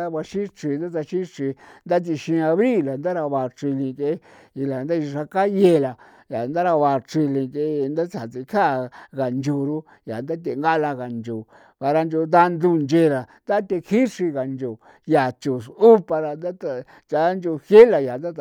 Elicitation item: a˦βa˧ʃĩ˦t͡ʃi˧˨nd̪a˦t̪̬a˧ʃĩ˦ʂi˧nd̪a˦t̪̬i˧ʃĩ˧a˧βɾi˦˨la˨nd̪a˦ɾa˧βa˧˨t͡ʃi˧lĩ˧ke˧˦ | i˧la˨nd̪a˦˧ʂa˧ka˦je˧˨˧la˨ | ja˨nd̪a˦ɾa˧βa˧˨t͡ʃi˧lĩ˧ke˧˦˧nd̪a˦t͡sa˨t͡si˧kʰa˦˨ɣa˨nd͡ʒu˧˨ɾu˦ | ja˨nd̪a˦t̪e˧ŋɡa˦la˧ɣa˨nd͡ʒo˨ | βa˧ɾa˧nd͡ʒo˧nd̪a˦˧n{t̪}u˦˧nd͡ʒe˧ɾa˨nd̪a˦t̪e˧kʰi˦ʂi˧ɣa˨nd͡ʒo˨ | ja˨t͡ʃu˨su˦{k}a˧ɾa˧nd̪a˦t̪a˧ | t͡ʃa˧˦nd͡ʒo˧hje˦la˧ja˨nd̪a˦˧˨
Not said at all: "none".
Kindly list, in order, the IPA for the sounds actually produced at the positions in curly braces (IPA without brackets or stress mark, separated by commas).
d̪, p